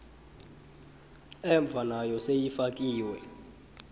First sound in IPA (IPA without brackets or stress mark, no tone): ɛ